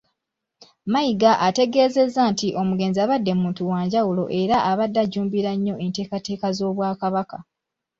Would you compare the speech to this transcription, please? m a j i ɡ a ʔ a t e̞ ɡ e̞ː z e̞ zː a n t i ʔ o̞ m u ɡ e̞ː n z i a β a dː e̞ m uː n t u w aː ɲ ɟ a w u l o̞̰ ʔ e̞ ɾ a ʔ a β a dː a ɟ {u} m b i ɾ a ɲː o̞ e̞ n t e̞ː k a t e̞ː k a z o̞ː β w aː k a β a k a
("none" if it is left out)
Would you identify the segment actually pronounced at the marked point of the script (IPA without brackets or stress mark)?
uː